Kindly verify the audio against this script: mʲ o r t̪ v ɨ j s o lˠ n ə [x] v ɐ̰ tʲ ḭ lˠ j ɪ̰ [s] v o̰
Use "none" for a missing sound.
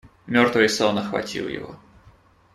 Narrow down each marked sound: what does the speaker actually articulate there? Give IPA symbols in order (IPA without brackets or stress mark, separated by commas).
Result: x, none